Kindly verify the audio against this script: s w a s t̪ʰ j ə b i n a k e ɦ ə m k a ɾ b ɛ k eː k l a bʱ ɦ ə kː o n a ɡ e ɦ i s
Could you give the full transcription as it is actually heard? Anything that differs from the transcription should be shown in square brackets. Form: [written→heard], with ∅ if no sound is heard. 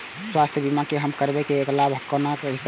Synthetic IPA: s w a s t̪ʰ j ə b i [n→m] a k e ɦ ə m k [a→ə] ɾ b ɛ k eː k l a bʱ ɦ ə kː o n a [ɡ→k] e ɦ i s